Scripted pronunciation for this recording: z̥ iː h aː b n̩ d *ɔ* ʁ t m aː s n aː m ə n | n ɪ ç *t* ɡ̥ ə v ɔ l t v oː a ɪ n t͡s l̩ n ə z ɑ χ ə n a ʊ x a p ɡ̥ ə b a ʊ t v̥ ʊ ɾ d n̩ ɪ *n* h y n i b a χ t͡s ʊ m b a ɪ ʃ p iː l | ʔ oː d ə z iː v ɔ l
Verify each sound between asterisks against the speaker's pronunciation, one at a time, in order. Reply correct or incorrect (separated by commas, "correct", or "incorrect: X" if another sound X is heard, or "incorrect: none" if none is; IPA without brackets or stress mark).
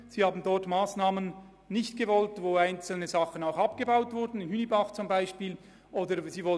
correct, correct, correct